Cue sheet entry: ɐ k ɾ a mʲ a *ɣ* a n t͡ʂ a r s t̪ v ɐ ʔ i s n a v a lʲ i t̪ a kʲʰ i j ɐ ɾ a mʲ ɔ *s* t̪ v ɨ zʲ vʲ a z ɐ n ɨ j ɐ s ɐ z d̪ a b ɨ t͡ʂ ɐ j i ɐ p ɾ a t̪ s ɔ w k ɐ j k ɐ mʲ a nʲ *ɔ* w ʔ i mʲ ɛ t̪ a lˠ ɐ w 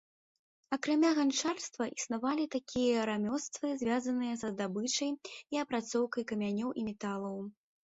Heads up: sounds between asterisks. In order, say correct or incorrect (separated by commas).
correct, correct, correct